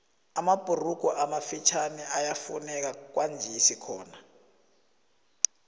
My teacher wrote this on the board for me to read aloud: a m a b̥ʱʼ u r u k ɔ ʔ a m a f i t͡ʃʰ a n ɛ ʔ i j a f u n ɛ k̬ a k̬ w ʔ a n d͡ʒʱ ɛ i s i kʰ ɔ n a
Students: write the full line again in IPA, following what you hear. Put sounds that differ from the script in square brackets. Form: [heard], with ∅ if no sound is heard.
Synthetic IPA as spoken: a m a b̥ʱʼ u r u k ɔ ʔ a m a f i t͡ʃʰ a n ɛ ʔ [a] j a f u n ɛ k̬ a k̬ w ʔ a n d͡ʒʱ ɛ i s i kʰ [ɔː] n a